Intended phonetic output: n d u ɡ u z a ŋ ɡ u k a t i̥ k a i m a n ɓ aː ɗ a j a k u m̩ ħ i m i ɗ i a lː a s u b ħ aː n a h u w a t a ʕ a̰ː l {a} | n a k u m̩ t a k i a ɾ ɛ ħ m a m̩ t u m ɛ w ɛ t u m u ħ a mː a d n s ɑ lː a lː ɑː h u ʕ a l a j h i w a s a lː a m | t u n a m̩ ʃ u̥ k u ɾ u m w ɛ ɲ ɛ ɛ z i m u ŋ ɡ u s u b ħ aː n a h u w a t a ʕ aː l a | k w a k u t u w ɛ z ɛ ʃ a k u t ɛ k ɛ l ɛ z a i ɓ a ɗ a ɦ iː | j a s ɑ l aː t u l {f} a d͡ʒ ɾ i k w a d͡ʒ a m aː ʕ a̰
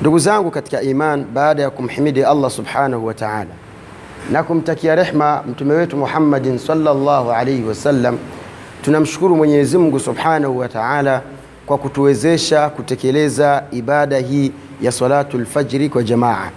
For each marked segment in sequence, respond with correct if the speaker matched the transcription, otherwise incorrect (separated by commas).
correct, correct